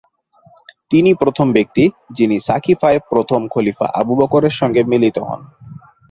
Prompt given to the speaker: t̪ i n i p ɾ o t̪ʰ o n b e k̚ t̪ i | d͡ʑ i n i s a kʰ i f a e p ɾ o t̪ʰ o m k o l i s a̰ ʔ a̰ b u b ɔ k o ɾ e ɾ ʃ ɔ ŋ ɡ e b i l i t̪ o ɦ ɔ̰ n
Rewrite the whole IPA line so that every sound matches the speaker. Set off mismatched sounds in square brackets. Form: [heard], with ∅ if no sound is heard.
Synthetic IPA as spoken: t̪ i n i p ɾ o t̪ʰ o [m] b e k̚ t̪ i | d͡ʑ i n i s a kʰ i f a e p ɾ o t̪ʰ o m [kʰ] o l i [f] a̰ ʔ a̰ b u b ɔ k o ɾ e ɾ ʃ ɔ ŋ ɡ e [m] i l i t̪ o ɦ ɔ̰ n